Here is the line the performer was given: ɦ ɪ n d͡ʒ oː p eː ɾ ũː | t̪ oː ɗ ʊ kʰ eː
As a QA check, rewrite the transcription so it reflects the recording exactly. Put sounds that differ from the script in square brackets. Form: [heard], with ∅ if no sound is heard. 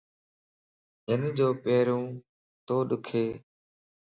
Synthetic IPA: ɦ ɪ n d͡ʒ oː p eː ɾ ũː | t̪ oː ɗ ʊ kʰ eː